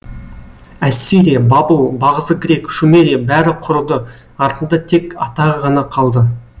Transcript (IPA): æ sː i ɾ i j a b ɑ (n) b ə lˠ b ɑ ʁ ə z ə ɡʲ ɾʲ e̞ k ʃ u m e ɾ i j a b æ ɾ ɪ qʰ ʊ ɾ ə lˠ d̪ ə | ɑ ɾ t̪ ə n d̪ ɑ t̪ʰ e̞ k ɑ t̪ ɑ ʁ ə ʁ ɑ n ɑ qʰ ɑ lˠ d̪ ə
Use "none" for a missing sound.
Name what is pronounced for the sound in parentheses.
none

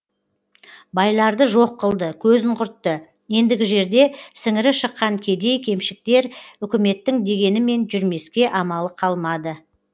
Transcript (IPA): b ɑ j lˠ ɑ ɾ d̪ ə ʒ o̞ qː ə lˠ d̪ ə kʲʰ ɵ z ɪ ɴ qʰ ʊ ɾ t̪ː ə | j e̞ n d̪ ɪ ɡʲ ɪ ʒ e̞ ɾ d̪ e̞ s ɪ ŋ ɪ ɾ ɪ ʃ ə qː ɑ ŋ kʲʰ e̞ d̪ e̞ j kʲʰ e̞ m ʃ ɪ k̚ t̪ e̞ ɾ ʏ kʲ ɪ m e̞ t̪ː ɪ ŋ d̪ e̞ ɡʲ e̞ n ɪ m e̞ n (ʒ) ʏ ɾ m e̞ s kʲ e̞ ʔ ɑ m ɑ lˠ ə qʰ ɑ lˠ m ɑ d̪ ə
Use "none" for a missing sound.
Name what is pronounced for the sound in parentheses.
ʒ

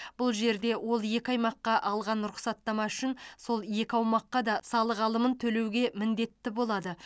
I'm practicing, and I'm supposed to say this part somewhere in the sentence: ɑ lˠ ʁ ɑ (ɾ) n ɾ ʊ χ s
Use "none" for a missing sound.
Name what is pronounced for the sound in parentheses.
none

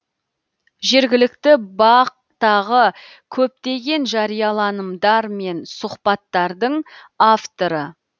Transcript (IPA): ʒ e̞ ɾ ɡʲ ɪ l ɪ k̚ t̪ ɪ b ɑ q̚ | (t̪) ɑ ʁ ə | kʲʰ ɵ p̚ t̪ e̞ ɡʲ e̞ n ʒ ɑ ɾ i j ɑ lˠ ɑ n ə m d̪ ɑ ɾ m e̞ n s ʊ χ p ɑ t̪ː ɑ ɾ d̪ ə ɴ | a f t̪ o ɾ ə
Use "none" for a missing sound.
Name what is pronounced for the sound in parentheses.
t̪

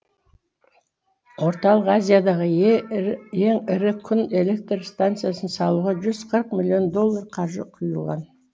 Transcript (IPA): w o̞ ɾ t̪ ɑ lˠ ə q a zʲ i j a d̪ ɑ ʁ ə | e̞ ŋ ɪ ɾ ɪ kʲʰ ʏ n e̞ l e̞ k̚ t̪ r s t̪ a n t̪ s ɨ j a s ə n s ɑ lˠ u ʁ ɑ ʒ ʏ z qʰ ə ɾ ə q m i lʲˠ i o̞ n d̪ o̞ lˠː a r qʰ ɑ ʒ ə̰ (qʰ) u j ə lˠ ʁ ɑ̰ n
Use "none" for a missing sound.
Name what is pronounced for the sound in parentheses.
qʰ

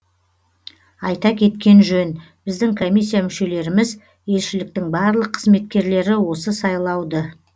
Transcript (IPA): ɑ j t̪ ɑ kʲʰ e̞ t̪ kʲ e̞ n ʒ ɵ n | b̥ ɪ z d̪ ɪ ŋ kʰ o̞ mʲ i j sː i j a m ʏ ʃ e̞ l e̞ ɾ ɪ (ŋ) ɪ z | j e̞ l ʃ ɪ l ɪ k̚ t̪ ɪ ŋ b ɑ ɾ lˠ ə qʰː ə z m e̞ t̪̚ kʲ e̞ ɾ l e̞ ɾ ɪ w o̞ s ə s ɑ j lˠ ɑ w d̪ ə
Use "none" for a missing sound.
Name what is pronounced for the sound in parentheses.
m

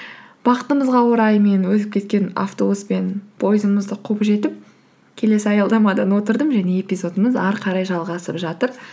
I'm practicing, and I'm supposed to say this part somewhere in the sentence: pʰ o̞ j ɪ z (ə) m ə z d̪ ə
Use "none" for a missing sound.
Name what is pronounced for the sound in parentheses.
ə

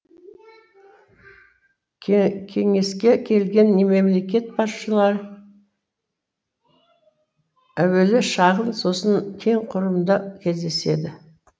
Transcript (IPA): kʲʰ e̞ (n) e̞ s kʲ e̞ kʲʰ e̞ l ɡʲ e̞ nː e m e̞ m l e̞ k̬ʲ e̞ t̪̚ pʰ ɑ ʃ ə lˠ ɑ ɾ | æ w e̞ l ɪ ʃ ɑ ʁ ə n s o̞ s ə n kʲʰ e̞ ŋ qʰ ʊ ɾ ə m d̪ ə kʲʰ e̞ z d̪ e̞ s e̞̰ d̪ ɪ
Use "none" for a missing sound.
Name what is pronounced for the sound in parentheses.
ŋ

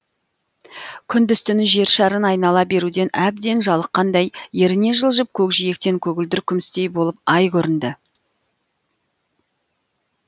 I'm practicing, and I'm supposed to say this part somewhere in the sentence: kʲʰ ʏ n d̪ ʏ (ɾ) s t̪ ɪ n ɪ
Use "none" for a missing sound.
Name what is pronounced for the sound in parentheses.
none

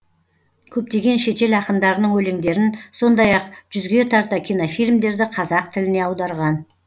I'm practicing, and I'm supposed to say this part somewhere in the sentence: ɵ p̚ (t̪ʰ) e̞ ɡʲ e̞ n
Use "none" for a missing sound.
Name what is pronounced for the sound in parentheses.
t̪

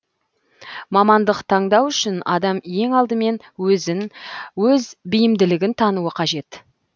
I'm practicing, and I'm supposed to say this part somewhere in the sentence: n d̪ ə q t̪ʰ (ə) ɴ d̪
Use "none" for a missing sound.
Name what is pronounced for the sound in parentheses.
ɑ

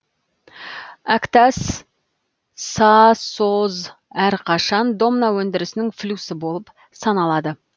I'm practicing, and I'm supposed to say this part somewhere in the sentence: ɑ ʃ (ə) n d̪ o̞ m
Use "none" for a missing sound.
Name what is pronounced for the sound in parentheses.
ɑ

